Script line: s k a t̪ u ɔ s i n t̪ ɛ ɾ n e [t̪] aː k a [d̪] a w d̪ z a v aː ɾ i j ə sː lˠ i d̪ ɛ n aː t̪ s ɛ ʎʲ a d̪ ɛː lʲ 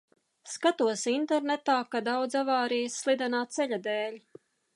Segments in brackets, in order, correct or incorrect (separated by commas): correct, correct